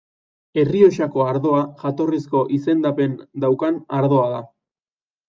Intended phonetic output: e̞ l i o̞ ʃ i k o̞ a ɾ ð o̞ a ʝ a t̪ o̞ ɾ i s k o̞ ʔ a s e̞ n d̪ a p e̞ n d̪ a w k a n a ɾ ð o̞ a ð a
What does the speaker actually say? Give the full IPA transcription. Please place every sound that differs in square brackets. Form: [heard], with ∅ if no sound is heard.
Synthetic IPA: e̞ [r] i o̞ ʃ [a] k o̞ a ɾ ð o̞ a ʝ a t̪ o̞ [r] i s k o̞ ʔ [i] s e̞ n d̪ a p e̞ n d̪ a w k a n a ɾ ð o̞ a ð a